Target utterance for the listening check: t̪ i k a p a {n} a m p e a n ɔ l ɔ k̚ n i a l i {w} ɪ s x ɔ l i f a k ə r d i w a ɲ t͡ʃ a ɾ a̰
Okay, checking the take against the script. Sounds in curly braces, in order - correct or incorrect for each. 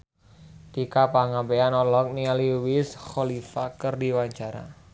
incorrect, correct

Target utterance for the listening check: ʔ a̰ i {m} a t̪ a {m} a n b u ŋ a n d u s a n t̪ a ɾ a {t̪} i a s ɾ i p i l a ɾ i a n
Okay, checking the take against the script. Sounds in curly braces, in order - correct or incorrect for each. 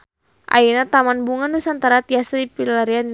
incorrect, correct, correct

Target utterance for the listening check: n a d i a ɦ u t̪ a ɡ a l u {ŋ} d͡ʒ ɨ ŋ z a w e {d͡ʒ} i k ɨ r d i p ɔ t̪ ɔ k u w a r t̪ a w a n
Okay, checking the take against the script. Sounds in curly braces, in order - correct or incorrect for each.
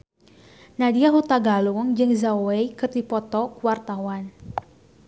correct, incorrect

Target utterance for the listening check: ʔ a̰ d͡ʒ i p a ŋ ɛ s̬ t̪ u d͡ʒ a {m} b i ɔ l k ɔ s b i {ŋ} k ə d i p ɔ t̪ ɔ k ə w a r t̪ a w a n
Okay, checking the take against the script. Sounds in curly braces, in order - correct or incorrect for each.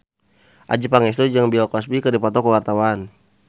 incorrect, incorrect

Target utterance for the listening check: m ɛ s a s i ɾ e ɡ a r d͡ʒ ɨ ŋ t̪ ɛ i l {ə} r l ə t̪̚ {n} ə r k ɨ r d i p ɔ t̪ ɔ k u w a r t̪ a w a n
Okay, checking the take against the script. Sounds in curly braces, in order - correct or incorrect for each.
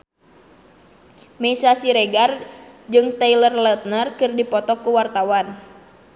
correct, correct

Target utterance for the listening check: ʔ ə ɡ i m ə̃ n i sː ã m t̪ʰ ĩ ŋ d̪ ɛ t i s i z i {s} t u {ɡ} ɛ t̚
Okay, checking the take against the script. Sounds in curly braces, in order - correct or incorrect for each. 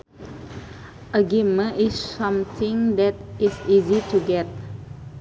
incorrect, correct

